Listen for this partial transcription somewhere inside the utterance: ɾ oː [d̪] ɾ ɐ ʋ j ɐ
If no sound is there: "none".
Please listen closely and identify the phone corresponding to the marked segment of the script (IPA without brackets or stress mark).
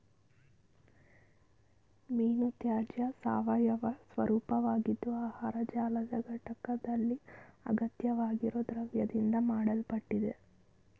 d̪